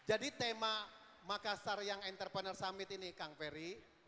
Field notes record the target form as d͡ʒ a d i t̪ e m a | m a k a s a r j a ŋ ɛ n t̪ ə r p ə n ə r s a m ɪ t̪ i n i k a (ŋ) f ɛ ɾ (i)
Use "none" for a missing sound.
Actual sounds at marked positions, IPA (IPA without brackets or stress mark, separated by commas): ŋ, i